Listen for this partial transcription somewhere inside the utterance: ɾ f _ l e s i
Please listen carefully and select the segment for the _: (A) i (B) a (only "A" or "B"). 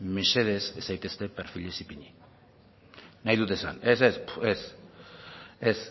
A